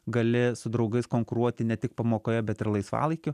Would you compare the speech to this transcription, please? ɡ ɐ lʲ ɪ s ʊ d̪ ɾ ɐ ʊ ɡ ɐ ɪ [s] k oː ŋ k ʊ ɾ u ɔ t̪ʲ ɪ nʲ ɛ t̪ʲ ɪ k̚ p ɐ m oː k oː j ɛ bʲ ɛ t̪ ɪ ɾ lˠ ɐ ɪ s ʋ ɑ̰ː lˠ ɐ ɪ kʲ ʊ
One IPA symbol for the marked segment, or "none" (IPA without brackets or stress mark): s